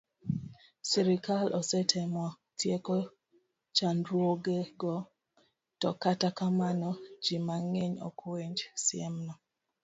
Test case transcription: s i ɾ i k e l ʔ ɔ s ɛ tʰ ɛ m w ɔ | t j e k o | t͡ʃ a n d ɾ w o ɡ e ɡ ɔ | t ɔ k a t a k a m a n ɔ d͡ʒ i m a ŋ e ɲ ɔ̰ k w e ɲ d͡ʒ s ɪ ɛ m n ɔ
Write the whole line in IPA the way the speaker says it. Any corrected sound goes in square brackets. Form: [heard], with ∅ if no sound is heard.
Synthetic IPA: s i ɾ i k [a] l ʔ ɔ s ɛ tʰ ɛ m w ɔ | t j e k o | t͡ʃ a n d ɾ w o ɡ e ɡ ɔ | t ɔ k a t a k a m a n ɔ d͡ʒ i m a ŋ e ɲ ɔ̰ k w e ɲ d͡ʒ s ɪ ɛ m n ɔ